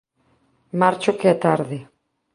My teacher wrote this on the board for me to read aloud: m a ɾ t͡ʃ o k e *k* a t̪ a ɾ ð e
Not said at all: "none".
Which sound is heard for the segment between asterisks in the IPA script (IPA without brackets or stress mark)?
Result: none